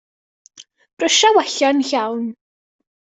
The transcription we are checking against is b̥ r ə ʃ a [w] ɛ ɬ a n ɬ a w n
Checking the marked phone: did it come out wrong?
no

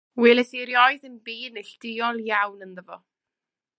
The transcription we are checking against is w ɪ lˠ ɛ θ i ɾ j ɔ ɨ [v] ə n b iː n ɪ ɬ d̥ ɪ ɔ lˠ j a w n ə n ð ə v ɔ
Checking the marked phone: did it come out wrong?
yes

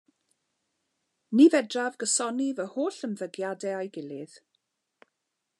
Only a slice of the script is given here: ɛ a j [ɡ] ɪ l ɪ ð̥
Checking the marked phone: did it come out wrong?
no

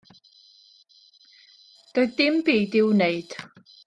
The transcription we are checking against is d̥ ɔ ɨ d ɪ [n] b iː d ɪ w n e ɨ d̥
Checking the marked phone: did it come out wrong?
yes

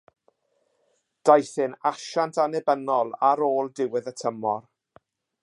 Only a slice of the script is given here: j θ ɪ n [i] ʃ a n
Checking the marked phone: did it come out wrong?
yes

